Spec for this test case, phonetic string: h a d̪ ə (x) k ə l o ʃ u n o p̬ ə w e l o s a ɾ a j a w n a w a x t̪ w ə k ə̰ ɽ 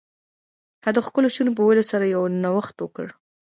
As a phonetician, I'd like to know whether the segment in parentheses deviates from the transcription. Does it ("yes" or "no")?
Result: no